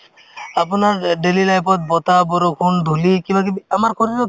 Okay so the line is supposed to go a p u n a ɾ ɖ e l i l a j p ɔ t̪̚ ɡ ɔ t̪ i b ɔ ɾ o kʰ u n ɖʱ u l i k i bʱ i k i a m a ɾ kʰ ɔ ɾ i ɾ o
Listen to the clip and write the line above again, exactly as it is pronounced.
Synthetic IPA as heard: a p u n a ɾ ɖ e l i l a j p ɔ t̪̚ b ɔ t̪ a b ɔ ɾ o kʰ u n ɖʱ u l i k i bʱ a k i a m a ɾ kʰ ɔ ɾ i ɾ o